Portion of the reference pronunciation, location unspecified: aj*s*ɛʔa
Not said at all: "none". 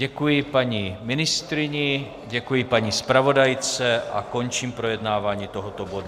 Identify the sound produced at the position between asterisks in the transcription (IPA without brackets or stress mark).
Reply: t͡s